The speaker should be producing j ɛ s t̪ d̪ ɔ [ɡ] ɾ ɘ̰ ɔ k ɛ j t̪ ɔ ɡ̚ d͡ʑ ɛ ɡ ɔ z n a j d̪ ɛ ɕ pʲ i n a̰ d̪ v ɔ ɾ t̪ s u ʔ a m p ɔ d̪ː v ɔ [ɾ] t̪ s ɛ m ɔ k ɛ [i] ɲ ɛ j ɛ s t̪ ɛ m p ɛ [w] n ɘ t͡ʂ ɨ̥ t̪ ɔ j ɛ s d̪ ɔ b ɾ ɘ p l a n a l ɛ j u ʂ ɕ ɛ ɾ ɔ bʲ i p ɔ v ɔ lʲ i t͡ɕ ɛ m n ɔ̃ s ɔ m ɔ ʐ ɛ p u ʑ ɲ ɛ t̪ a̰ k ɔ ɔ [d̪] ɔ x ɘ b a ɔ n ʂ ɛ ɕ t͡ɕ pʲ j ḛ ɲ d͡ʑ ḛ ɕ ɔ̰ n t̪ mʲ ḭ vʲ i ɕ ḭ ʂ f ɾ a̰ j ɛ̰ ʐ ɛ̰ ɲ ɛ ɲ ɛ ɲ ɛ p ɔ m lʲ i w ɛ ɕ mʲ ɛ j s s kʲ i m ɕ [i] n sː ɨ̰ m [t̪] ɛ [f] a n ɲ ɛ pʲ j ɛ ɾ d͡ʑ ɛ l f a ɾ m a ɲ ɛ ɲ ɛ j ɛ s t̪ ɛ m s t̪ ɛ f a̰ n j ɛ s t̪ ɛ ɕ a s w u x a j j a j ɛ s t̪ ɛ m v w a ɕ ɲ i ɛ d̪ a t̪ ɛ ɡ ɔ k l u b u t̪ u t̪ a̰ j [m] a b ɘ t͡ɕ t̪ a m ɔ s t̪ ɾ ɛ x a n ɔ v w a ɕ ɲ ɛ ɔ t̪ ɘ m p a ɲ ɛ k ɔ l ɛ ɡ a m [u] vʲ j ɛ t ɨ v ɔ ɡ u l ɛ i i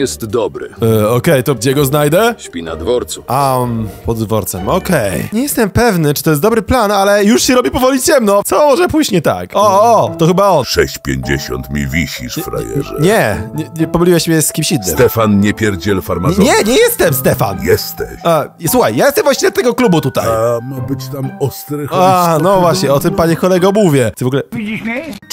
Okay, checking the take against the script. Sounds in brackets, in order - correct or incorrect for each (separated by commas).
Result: incorrect, correct, incorrect, incorrect, incorrect, correct, correct, correct, correct, correct